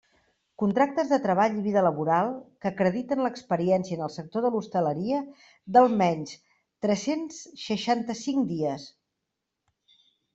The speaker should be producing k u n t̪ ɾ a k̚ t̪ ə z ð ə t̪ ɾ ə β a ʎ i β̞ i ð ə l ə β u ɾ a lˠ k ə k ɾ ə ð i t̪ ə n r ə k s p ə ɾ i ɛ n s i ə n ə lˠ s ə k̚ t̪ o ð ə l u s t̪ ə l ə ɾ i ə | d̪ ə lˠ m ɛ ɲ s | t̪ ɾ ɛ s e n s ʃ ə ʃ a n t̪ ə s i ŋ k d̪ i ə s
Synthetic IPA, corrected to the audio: k u n t̪ ɾ a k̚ t̪ ə z ð ə t̪ ɾ ə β a ʎ i β̞ i ð ə l ə β u ɾ a lˠ k ə k ɾ ə ð i t̪ ə n l ə k s p ə ɾ i ɛ n s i ə n ə lˠ s ə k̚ t̪ o ð ə l u s t̪ ə l ə ɾ i ə | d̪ ə lˠ m ɛ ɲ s | t̪ ɾ ɛ s e n s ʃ ə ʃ a n t̪ ə s i ŋ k d̪ i ə s